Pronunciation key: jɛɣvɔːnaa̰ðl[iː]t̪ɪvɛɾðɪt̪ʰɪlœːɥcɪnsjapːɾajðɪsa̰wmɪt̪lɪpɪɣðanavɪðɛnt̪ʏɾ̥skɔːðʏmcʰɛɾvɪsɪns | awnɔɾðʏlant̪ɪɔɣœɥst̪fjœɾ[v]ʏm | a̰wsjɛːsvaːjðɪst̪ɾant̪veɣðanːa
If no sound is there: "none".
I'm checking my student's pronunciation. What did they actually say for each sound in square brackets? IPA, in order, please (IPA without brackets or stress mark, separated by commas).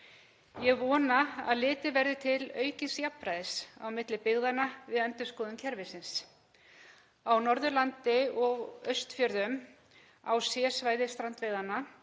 ɪː, ð